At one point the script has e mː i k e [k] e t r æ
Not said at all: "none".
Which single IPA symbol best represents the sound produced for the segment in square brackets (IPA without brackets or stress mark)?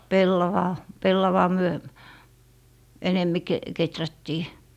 k